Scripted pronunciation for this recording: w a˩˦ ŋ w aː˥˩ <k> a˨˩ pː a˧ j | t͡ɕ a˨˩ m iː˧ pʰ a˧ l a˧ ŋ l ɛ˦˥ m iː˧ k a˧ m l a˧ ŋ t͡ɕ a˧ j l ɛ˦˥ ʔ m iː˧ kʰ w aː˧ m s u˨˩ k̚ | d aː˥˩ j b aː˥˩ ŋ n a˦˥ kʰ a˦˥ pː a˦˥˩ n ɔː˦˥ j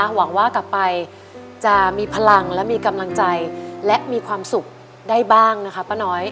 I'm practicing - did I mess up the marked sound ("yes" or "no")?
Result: no